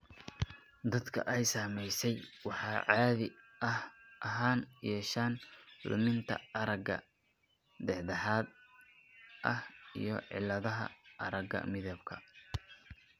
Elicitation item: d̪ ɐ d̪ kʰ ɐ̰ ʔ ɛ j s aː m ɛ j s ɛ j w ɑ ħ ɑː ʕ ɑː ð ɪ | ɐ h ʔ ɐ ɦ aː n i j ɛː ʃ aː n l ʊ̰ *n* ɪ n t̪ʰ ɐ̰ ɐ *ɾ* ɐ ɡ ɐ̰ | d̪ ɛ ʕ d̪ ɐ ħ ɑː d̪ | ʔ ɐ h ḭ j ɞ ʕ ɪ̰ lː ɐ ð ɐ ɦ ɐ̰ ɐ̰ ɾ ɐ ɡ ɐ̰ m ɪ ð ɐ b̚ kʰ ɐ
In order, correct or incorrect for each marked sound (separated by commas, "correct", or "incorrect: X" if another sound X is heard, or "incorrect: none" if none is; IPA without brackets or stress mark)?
incorrect: m, correct